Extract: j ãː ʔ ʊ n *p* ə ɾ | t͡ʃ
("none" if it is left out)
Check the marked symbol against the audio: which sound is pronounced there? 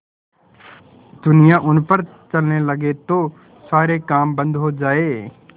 p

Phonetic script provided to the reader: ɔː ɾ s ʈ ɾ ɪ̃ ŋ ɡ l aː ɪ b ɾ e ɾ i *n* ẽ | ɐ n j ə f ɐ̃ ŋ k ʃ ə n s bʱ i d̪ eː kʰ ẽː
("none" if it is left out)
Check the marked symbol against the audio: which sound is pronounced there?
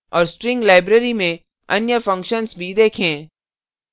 m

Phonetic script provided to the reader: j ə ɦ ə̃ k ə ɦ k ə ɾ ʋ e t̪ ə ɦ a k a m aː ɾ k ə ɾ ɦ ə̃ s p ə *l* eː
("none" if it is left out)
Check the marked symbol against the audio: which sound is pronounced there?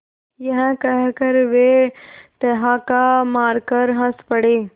ɽ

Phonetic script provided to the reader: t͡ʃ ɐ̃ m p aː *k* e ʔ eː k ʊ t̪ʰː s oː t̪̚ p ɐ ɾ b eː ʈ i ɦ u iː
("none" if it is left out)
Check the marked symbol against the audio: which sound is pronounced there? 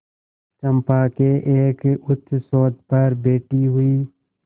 k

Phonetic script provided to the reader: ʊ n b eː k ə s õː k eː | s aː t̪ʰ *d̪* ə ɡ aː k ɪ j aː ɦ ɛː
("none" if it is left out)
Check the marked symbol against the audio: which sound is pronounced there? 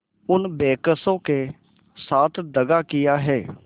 d̪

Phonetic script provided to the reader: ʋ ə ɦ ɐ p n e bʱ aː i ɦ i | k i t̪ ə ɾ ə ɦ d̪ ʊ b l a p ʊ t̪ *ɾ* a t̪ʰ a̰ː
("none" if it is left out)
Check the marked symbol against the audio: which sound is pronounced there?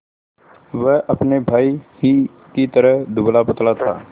l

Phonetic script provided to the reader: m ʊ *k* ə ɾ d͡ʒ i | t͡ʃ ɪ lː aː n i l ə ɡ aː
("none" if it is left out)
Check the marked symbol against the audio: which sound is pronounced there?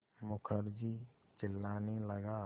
kʰ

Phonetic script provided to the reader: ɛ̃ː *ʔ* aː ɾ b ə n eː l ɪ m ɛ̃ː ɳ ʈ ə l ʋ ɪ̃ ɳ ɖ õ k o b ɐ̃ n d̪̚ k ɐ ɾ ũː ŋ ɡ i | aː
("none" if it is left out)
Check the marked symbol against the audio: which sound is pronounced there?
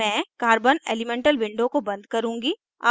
k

